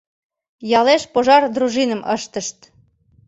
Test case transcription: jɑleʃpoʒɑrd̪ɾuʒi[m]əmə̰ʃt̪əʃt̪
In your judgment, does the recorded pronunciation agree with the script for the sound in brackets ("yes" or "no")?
no